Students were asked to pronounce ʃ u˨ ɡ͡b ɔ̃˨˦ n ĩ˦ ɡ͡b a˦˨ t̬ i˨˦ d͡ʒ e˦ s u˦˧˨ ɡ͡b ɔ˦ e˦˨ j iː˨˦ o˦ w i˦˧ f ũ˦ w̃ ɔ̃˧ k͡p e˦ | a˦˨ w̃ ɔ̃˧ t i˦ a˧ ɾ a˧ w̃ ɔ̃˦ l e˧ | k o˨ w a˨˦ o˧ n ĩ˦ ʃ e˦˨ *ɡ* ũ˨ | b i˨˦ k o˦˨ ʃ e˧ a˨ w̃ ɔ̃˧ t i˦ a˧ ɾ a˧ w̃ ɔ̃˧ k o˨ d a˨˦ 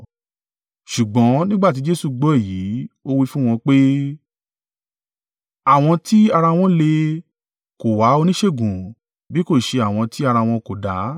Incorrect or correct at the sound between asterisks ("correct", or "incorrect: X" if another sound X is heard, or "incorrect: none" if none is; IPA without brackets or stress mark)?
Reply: correct